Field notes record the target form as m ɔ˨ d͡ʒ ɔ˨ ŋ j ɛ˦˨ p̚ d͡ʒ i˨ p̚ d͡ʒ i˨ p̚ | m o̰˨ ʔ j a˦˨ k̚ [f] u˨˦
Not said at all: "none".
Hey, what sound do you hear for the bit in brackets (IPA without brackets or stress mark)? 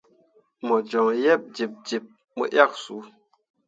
s